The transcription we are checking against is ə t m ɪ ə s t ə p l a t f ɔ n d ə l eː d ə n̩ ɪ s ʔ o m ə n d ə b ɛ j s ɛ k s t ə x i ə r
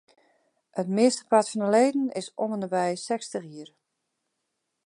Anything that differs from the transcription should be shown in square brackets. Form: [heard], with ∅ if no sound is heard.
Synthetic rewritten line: ə t m ɪ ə s t ə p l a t f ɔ n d ə l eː d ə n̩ ɪ s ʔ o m ə n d ə b ɛ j s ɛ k s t ə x i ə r